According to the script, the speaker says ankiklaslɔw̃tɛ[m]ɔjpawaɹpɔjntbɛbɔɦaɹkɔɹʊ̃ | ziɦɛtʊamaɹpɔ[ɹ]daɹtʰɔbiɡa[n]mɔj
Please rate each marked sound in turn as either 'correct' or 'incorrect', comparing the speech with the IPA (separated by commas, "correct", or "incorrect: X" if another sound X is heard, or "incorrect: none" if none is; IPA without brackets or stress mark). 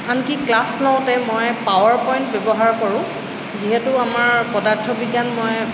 correct, incorrect: none, correct